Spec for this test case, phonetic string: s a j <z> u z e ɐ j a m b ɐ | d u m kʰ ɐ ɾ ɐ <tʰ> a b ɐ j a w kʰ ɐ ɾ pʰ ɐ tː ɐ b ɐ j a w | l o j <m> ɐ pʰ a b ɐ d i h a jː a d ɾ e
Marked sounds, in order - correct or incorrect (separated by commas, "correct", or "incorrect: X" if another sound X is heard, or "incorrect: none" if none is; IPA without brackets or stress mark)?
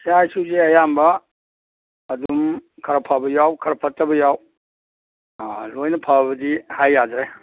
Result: incorrect: s, incorrect: pʰ, incorrect: n